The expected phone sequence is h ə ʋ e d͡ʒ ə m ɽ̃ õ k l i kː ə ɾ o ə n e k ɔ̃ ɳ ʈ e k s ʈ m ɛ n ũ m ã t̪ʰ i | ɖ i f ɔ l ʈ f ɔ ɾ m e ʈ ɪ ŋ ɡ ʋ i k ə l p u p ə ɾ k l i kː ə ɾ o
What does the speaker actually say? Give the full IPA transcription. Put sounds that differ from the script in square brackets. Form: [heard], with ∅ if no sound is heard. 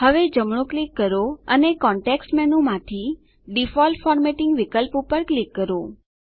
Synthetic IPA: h ə ʋ e d͡ʒ ə m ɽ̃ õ k l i kː ə ɾ o ə n e k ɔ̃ ɳ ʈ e k s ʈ m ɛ n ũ m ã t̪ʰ i | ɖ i f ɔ l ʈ f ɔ ɾ m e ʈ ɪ ŋ ɡ ʋ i k ə l p u p ə ɾ k l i kː ə ɾ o